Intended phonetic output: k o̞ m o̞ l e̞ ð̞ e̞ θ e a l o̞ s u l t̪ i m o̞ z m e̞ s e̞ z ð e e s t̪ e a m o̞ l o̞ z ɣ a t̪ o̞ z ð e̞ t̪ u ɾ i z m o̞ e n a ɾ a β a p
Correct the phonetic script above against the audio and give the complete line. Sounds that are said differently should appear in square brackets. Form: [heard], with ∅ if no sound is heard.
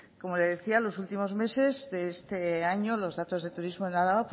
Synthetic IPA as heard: k o̞ m o̞ l e̞ ð̞ e̞ θ [i] a l o̞ s u l t̪ i m o̞ z m e̞ s e̞ z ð e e s t̪ e a [ɲ] o̞ l o̞ z [ð] a t̪ o̞ z ð e̞ t̪ u ɾ i z m o̞ e n a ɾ a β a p